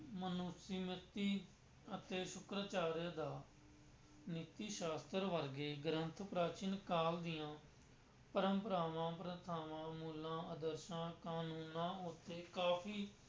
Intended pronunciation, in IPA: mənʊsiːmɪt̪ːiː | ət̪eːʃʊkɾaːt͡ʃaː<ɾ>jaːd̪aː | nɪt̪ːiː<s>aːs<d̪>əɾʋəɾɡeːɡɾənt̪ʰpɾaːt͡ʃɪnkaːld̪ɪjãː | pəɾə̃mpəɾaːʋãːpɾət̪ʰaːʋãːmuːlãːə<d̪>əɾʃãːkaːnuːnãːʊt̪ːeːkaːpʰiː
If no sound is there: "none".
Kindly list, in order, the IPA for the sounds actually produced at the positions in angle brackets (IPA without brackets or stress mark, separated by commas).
ɾ, ʃ, t̪, d̪